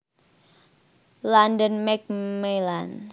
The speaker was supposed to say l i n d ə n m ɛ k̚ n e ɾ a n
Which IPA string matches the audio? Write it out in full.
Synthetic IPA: l a n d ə n m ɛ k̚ m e l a n